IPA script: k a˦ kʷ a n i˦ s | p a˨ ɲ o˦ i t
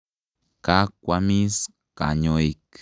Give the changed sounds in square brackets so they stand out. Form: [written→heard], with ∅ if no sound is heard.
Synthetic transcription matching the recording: k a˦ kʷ a [n→m] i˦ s | [p→k] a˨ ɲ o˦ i [t→k]